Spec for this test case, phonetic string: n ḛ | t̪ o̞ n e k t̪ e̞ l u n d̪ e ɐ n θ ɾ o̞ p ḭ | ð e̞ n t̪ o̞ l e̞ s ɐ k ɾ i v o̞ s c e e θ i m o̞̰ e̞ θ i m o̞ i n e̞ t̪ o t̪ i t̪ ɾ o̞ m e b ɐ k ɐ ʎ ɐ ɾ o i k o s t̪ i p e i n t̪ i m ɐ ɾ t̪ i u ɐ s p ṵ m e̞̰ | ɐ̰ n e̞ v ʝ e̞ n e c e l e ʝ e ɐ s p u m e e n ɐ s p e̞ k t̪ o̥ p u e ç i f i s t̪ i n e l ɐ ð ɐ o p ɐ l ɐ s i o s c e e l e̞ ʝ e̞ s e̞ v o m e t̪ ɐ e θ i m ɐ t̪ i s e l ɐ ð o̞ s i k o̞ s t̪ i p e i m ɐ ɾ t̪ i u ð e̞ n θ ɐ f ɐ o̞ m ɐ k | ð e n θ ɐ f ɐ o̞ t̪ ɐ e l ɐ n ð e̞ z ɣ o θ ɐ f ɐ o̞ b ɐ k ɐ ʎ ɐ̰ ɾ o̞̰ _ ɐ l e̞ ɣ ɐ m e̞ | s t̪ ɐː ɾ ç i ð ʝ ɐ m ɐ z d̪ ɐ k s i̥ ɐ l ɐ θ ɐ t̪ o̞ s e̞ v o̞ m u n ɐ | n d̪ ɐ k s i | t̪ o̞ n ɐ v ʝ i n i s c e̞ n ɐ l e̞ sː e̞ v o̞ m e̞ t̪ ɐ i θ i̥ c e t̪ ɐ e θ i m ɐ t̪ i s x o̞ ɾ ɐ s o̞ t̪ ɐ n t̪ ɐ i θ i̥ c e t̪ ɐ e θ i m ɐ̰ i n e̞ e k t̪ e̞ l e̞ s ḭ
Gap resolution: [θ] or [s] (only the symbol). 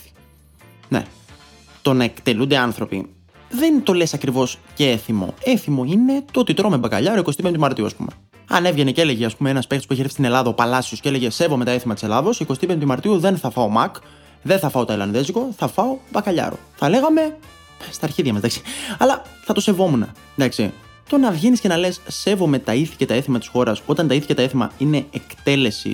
θ